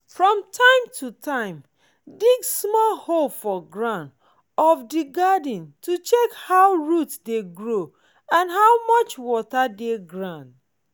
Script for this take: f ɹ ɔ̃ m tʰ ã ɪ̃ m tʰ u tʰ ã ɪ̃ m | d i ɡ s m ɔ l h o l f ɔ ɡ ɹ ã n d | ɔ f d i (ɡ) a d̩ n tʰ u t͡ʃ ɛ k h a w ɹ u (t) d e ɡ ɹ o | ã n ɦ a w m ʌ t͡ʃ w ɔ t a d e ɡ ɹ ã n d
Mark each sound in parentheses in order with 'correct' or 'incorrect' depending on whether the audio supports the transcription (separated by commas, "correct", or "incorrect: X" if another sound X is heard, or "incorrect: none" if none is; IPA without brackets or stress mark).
correct, correct